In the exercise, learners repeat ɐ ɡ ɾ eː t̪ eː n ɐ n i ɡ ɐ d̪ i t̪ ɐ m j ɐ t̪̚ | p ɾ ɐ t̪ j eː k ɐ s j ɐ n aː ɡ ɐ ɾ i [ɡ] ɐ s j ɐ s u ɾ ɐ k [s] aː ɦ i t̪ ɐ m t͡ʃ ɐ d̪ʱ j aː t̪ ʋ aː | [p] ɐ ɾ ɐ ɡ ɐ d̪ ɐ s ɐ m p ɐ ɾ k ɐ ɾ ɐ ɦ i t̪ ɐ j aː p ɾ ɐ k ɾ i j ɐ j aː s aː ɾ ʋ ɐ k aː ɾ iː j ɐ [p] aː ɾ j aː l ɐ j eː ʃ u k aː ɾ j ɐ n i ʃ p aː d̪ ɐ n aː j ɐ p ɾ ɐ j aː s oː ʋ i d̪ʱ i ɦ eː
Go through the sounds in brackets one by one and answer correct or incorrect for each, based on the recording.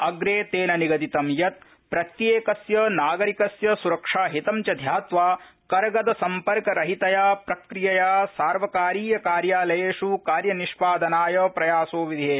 incorrect: k, incorrect: ʂ, incorrect: k, incorrect: k

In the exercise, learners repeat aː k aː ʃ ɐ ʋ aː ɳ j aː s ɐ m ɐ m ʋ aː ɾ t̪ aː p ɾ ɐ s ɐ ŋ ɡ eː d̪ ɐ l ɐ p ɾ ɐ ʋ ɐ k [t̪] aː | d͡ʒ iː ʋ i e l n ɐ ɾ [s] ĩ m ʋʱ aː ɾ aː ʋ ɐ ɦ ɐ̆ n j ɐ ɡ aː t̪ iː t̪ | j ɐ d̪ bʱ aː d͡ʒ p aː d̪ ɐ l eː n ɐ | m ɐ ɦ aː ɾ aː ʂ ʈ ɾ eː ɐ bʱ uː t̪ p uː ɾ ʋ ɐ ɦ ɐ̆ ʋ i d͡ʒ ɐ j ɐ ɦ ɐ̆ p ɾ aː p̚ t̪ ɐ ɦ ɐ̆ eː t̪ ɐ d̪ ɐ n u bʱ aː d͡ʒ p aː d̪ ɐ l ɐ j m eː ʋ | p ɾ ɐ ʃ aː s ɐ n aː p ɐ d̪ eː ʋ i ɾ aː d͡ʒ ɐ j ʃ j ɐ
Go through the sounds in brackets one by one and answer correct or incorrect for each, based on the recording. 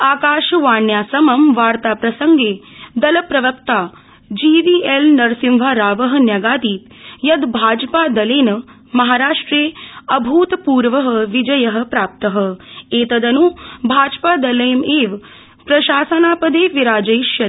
correct, correct

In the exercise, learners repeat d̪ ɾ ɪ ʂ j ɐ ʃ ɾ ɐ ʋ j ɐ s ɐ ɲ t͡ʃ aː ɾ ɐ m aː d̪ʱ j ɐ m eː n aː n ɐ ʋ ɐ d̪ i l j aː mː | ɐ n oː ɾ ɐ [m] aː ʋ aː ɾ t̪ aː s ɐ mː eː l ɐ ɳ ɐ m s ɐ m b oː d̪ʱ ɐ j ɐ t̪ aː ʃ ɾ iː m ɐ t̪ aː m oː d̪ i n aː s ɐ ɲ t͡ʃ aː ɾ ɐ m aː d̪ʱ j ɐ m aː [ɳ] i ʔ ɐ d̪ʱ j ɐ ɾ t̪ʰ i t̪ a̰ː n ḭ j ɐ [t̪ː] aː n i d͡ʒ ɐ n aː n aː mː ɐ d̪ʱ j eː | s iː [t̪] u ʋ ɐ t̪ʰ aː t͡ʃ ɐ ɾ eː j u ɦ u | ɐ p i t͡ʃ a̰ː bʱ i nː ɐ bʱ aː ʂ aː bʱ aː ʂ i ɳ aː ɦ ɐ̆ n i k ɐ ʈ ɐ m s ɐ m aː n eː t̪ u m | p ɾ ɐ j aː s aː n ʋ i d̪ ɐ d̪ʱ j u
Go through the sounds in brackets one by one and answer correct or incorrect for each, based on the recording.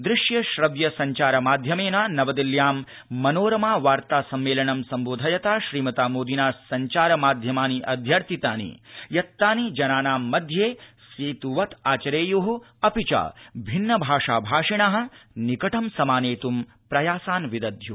correct, incorrect: n, correct, correct

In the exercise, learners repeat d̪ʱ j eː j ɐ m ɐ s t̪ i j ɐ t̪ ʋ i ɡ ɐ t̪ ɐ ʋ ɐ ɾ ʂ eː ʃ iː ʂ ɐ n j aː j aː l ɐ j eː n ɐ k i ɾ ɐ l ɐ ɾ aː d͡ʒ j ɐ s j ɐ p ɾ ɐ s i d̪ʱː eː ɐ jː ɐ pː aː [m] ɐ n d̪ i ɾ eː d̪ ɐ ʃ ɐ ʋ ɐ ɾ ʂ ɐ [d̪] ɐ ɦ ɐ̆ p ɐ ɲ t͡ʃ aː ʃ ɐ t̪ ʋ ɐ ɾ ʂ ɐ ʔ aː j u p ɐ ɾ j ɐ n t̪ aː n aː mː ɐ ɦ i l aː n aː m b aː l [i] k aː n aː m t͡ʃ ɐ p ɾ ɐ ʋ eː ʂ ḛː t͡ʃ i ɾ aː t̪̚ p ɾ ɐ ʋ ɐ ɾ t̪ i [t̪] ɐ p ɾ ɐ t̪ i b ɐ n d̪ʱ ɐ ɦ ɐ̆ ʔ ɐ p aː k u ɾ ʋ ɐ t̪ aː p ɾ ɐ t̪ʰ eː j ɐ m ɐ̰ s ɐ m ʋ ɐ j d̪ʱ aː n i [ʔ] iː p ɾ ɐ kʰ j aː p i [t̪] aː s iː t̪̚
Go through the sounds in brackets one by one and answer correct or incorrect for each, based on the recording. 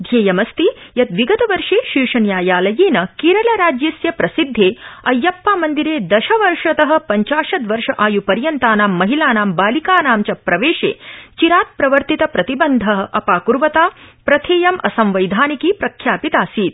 correct, incorrect: t̪, correct, correct, incorrect: k, correct

